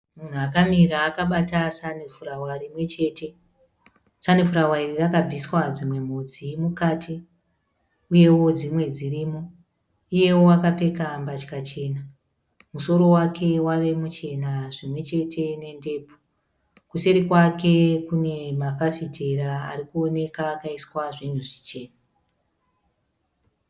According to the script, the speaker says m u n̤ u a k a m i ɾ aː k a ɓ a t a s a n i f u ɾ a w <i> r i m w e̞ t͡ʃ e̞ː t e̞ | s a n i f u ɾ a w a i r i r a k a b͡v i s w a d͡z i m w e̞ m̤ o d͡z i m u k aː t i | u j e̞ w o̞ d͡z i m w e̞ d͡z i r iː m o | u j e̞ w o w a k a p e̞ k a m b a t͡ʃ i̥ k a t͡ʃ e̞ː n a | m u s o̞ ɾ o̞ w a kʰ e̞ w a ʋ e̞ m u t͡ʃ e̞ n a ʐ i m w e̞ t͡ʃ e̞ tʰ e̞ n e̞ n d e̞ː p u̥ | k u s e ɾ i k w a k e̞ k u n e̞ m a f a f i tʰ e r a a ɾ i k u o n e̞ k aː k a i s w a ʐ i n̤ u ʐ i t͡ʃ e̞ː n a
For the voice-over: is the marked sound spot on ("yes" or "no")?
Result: no